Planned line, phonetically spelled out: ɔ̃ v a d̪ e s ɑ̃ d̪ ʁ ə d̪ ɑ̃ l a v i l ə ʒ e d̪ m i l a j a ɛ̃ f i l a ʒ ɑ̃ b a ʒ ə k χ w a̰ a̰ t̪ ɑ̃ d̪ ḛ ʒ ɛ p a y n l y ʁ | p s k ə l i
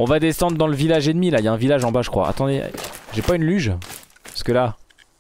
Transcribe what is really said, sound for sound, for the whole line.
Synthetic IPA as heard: ɔ̃ v a d̪ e s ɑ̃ d̪ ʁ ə d̪ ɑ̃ l ə v i l a ʒ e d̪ m i l a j a ɛ̃ v i l a ʒ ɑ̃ b a ʒ ə k χ w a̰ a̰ t̪ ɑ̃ d̪ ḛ ʒ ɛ p a y n l y ʒ | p s k ə l a